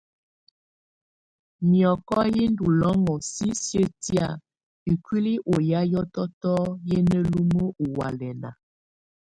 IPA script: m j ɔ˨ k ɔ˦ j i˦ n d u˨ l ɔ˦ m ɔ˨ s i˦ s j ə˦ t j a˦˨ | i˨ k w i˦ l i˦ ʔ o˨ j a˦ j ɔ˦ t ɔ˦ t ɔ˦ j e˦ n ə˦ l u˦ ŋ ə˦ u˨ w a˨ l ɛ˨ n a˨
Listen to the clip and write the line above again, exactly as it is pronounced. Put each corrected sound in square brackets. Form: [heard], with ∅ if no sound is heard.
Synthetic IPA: m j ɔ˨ k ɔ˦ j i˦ n d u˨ l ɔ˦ [ŋ] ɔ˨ s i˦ s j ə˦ t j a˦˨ | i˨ k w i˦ l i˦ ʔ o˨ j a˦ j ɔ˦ t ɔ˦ t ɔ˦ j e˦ n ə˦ l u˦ [m] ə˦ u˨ w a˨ l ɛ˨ n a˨